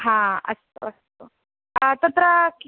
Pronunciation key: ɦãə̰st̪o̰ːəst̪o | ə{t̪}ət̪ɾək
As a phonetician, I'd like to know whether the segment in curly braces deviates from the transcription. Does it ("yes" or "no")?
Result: no